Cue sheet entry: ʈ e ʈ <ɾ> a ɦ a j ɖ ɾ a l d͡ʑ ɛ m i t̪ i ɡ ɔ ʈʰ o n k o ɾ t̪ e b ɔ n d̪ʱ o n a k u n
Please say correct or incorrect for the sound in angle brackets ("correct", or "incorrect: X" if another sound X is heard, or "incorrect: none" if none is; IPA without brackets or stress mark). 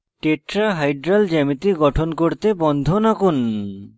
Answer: correct